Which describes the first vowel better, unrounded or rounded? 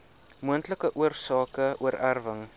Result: rounded